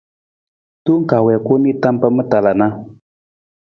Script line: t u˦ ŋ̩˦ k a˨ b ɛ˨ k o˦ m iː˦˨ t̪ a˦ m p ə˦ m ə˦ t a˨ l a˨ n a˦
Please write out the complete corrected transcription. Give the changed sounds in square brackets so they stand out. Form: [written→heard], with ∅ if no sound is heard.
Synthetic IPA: t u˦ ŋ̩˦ k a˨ [b→w] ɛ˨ k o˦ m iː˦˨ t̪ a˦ m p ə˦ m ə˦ t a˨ l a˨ n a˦